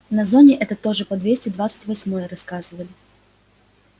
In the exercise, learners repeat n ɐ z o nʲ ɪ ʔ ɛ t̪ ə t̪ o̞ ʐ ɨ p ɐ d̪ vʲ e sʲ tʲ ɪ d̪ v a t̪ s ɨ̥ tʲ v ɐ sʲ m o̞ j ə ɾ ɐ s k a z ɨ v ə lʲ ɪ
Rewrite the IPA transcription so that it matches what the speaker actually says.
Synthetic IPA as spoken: n ɐ z o nʲ ɪ ʔ ɛ t̪ ə t̪ o̞ ʐ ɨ p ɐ d̪ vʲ e sʲ tʲ ɪ d̪ v a t̪ s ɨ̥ tʲ v ɐ sʲ m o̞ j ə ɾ ɐ s k a z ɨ v ə lʲ ɪ